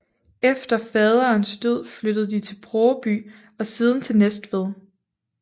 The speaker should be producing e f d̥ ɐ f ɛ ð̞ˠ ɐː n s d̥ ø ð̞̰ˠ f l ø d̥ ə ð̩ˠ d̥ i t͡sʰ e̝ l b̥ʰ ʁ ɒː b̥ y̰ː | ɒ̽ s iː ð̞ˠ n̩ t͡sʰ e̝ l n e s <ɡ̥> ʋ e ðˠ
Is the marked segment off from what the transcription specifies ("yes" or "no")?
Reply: yes